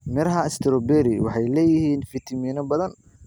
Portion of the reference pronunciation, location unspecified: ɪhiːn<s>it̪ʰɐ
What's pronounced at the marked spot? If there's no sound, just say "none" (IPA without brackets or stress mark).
f